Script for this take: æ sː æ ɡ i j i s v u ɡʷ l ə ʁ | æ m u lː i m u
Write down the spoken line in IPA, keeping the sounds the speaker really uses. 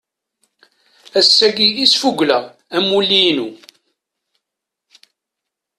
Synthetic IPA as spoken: æ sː æ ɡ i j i s f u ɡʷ l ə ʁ | æ m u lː i n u